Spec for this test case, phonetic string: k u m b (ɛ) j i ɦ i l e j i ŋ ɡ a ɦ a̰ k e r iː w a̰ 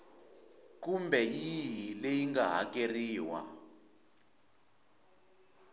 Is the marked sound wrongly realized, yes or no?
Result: no